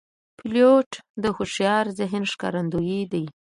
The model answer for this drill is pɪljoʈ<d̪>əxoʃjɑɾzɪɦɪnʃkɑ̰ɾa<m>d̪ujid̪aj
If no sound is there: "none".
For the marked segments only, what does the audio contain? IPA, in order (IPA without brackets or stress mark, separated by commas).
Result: d̪, n